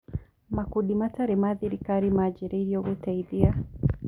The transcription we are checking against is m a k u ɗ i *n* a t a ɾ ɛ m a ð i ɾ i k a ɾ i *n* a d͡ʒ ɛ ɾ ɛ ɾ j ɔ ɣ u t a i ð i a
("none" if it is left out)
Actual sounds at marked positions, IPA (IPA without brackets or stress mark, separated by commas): m, m